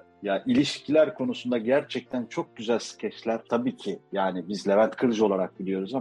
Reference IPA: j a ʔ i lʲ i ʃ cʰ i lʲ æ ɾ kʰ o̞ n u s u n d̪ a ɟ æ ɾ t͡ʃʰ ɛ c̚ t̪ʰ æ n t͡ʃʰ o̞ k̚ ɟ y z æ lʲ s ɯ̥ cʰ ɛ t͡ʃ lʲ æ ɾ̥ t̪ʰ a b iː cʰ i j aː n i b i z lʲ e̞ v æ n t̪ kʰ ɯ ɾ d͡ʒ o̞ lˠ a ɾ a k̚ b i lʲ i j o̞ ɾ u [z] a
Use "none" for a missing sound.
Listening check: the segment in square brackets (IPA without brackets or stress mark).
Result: z